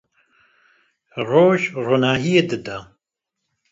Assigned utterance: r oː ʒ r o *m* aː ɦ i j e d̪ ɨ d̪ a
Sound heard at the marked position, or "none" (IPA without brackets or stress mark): n